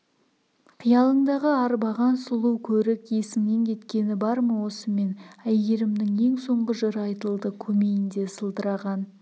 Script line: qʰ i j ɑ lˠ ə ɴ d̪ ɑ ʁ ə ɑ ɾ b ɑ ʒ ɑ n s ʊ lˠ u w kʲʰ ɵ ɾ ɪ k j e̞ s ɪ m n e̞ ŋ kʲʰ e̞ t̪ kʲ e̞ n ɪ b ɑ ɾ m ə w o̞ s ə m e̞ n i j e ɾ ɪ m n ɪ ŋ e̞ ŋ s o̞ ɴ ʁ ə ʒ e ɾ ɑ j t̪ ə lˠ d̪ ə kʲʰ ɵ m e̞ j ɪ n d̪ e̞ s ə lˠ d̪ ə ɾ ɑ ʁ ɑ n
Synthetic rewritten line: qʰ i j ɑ lˠ ə ɴ d̪ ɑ ʁ ə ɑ ɾ b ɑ ʁ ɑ n s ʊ lˠ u w kʲʰ ɵ ɾ ɪ k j e̞ s ɪ m n e̞ ŋ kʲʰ e̞ t̪ kʲ e̞ n ɪ b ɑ ɾ m ə w o̞ s ə m e̞ n æ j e ɾ ɪ m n ɪ ŋ e̞ ŋ s o̞ ɴ ʁ ə ʒ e ɾ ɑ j t̪ ə lˠ d̪ ə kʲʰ ɵ m e̞ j ɪ n d̪ e̞ s ə lˠ d̪ ə ɾ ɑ ʁ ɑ n